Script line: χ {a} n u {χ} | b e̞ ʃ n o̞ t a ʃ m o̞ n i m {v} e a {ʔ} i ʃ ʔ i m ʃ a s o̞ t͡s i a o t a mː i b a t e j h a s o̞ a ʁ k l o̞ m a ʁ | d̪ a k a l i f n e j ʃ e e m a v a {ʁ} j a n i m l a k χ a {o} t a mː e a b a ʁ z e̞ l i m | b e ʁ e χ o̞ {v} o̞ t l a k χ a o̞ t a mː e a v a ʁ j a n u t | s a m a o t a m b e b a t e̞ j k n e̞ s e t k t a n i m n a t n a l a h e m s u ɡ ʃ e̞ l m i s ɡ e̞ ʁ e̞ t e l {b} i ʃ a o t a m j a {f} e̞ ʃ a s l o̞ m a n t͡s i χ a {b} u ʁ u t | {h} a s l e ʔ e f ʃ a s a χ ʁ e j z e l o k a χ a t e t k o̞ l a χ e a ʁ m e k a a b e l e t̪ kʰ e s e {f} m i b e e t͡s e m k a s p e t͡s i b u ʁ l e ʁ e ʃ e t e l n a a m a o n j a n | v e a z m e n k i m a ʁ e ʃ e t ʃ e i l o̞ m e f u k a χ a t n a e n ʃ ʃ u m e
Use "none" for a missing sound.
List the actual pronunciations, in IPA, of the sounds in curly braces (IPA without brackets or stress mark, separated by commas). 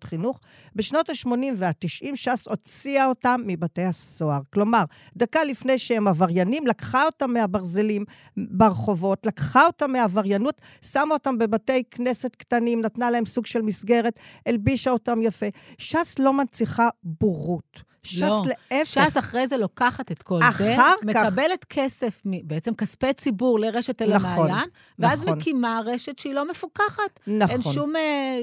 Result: i, χ, v, t, ʁ, o, v, b, f, b, ʃ, f